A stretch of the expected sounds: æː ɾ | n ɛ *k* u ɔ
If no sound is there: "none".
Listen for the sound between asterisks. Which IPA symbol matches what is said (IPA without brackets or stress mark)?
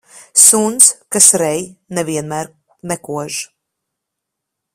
k